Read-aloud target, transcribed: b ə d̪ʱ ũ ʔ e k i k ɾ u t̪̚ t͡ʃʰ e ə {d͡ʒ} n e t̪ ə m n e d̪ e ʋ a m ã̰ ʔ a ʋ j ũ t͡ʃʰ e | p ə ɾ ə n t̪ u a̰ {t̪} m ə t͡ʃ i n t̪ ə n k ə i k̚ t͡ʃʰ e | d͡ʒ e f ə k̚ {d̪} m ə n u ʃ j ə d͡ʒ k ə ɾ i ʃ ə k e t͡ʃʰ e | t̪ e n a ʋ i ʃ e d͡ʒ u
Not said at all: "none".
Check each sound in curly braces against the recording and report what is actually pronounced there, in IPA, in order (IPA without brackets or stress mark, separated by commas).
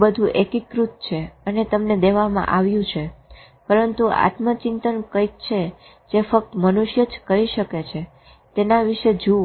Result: none, t̪, t̪